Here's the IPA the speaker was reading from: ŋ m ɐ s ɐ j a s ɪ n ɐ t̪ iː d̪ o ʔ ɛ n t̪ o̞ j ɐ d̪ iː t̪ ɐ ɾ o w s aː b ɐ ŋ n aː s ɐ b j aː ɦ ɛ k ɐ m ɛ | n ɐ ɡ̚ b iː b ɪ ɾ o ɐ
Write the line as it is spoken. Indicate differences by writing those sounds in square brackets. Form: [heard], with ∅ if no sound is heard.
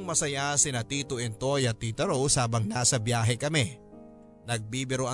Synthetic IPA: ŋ m ɐ s ɐ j a s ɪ n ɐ t̪ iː [t̪] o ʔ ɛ n t̪ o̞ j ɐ [t̪] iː t̪ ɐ ɾ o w s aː b ɐ ŋ n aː s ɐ b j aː ɦ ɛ k ɐ m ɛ | n ɐ ɡ̚ b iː b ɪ ɾ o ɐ